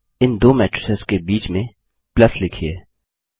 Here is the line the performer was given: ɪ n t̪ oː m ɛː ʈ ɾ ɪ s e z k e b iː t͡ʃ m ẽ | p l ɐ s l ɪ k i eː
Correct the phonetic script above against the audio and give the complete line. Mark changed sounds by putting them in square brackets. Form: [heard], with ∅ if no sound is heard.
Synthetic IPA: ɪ n [d̪] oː m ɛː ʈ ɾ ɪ s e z k e b iː t͡ʃ m ẽ | p l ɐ s l ɪ [kʰ] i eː